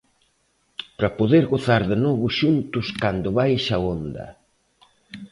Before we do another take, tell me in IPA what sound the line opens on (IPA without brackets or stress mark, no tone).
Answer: p